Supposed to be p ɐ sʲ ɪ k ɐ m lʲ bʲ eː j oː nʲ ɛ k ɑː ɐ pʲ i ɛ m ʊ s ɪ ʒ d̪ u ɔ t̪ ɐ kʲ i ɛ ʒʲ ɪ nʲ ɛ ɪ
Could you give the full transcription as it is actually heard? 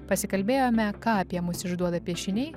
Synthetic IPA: p ɐ sʲ ɪ k ɐ lʲ bʲ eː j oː mʲ ɛ k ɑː ɐ pʲ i ɛ m ʊ s ɪ ʒ d̪ u ɔ d̪ ɐ pʲ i ɛ ʃʲ ɪ nʲ ɛ ɪ